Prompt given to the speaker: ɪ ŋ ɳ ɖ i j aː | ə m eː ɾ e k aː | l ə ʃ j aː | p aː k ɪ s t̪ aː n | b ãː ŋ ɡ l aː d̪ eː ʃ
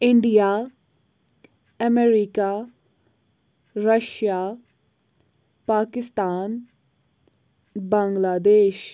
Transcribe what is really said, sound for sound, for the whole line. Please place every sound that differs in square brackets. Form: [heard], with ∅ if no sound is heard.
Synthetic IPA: ɪ [∅] ɳ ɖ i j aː | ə m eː ɾ [i] k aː | [ɾ] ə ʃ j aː | p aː k ɪ s t̪ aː n | b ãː ŋ ɡ l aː d̪ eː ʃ